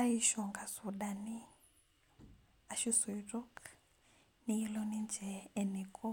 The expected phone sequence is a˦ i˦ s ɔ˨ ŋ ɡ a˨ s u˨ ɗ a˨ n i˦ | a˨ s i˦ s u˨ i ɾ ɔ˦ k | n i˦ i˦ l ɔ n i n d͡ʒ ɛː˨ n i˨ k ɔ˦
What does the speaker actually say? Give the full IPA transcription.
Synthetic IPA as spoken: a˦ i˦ ʃ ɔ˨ ŋ ɡ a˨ s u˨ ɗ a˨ n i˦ | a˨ ʃ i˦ s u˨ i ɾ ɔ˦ k | n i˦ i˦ l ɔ n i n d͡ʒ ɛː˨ n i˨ k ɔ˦